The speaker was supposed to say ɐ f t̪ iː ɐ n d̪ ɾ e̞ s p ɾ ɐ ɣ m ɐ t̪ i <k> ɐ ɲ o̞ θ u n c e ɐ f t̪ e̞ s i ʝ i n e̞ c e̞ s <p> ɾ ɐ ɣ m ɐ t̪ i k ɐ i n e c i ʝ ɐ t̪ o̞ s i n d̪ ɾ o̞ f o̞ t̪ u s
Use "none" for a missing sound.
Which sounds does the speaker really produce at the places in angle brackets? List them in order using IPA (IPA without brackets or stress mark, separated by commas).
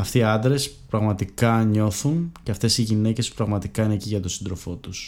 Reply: k, p